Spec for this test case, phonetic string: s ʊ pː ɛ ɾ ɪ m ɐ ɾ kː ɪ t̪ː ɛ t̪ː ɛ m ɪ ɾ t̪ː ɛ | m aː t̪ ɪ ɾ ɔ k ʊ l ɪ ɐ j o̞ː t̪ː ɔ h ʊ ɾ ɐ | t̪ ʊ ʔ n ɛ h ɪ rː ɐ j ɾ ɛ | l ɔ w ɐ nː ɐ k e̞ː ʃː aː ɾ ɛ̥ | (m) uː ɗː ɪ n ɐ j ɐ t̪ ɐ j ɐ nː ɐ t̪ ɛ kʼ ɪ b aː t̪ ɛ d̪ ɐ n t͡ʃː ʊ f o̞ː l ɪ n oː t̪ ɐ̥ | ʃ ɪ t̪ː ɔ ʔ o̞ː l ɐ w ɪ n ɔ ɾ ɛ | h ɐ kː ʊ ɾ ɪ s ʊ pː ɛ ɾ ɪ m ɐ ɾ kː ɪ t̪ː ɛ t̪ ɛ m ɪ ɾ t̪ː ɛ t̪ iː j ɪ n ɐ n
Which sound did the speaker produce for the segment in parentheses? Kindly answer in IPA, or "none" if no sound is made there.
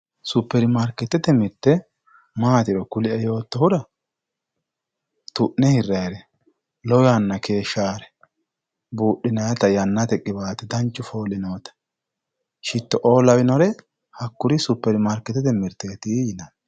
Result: b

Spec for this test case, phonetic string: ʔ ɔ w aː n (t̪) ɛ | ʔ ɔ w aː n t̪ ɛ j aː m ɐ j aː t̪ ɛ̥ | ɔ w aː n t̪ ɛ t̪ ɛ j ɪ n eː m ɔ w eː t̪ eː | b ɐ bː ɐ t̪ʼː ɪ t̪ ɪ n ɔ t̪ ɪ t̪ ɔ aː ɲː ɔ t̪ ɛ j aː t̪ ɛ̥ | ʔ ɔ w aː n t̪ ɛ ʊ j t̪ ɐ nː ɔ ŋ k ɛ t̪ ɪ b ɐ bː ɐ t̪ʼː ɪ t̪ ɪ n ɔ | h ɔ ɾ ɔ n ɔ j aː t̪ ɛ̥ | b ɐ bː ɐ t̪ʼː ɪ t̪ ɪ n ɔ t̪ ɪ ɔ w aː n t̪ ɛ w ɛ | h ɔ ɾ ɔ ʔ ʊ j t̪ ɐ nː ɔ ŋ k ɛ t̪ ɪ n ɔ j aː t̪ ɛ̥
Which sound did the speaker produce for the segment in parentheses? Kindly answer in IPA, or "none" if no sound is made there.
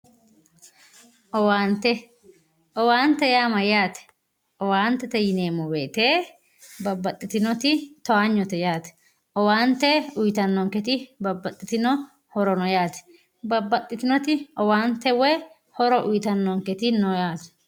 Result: t̪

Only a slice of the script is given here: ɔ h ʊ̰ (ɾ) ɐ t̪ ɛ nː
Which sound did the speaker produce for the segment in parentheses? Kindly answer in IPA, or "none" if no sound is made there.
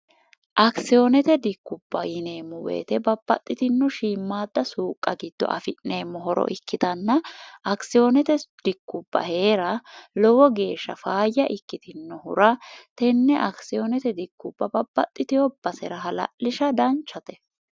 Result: ɾ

